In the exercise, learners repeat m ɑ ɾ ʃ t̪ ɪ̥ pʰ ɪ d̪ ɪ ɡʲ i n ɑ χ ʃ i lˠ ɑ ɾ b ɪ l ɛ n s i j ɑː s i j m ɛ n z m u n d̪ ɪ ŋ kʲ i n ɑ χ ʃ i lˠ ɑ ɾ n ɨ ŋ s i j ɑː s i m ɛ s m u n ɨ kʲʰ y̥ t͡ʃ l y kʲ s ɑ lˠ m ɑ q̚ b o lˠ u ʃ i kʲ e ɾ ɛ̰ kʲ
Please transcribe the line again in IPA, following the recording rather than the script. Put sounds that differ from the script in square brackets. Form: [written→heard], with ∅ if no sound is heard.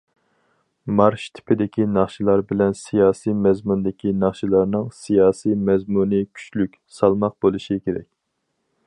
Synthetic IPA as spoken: m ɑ ɾ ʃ [t̪→t̪ʰ] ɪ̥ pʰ ɪ d̪ ɪ [ɡʲ→kʲ] i n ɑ χ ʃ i lˠ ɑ ɾ b ɪ l ɛ n s i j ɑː s i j m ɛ [n→∅] z m u n d̪ ɪ [ŋ→∅] kʲ i n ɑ χ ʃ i lˠ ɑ ɾ n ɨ ŋ s i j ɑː s i m ɛ [s→z] m u n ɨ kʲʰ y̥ t͡ʃ l y kʲ s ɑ lˠ m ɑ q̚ b o lˠ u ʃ i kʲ e ɾ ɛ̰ kʲ